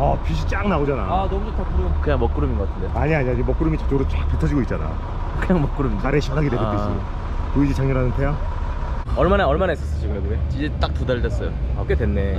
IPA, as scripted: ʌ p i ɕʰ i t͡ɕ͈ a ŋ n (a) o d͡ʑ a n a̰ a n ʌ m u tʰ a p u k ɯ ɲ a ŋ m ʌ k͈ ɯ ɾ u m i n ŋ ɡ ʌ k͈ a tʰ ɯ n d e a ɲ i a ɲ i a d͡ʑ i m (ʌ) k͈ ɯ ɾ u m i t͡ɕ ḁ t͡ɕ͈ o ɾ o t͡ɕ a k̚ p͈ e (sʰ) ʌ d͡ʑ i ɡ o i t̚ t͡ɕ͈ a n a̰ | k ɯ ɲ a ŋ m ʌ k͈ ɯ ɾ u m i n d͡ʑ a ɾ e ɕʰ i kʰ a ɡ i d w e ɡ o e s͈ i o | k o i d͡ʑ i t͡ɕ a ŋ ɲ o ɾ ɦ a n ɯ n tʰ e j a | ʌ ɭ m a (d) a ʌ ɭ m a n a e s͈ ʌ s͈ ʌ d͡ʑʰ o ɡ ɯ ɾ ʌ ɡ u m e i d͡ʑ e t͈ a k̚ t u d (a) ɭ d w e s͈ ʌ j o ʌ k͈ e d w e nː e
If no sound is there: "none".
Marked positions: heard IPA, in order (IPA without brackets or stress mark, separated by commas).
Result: a, ʌ, tʰ, n, a